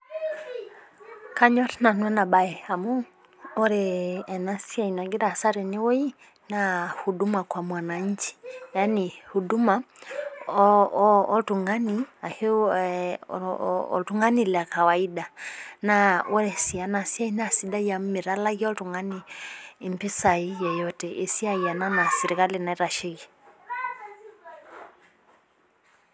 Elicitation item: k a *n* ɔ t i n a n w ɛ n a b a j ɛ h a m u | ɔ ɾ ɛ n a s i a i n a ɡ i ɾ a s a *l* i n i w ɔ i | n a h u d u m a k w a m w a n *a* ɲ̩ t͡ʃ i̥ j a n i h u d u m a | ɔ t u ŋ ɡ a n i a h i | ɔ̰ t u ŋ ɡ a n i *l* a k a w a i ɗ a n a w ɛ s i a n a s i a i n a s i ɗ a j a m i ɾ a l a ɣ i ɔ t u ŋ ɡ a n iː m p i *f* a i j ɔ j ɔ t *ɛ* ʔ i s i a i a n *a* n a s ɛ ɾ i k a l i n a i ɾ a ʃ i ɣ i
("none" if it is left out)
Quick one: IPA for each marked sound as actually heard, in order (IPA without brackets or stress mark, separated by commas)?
ɲ, ɾ, a, l, s, ɛ, a